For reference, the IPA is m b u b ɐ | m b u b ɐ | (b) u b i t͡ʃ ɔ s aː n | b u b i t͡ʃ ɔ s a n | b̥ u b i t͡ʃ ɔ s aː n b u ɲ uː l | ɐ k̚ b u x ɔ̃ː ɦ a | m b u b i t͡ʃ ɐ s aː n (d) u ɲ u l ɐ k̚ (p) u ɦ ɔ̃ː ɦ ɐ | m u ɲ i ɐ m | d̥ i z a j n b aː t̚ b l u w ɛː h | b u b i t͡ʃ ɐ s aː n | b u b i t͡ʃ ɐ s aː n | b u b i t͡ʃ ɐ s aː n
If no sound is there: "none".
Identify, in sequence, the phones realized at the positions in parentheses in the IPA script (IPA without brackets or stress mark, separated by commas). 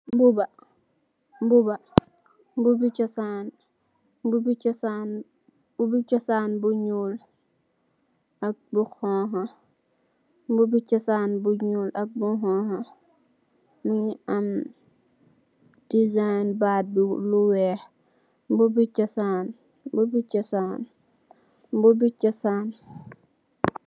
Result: b, b, b